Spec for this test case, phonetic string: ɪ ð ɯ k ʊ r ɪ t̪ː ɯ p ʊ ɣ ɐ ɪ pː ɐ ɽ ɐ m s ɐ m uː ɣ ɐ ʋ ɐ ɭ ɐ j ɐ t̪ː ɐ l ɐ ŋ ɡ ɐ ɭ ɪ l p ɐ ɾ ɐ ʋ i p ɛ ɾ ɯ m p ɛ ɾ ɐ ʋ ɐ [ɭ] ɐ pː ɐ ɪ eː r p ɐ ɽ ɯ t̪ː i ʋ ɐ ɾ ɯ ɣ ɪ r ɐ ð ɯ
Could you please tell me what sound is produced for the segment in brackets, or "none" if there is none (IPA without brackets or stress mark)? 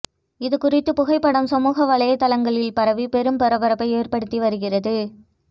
ɾ